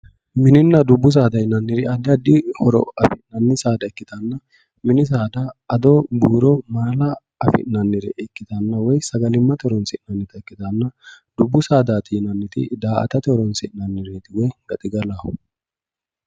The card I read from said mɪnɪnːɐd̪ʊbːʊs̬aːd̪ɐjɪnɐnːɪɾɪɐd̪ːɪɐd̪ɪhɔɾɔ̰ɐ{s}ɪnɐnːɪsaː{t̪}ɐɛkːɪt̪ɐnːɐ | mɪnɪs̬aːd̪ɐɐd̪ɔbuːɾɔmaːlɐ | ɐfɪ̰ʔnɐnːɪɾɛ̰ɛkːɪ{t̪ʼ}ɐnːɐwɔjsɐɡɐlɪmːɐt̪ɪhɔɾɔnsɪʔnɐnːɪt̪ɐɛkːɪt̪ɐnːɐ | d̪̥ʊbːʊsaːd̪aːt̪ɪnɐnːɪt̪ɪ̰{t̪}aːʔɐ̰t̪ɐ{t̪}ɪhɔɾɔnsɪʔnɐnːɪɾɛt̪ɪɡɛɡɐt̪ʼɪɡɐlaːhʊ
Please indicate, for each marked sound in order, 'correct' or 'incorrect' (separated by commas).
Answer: incorrect, incorrect, incorrect, incorrect, correct